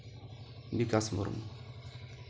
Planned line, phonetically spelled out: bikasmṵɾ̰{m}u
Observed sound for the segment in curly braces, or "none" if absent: m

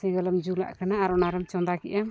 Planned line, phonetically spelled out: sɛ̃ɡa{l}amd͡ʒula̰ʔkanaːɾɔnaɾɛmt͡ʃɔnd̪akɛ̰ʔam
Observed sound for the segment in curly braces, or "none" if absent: l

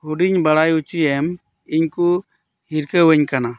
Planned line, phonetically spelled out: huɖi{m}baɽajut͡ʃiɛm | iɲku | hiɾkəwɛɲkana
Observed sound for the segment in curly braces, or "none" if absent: ɲ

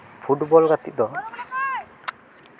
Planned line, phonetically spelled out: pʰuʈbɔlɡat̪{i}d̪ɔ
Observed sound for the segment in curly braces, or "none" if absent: i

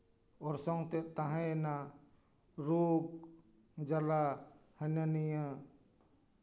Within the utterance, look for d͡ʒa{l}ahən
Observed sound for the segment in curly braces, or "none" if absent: l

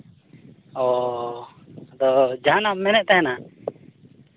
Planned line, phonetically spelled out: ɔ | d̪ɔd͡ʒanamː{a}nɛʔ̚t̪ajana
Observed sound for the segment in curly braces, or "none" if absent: ɛ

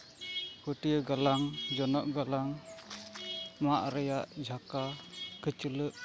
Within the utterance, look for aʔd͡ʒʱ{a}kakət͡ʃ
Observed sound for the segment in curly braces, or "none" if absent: a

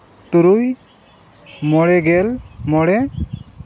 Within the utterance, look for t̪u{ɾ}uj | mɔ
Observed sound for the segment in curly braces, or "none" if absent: ɾ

